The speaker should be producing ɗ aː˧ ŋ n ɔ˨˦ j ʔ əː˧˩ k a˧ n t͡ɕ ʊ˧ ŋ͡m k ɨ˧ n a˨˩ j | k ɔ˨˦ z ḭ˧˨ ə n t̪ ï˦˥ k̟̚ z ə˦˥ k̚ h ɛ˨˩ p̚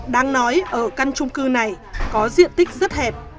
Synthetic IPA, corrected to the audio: ɗ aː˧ ŋ n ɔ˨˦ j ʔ əː˧˩ k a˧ n t͡ɕ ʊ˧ ŋ͡m k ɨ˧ n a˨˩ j | k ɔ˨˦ z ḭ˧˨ ə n t̪ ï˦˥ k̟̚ z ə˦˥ t̚ h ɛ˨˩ p̚